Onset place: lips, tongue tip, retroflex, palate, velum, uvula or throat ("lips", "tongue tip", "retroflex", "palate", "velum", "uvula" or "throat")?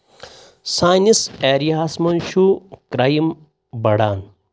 tongue tip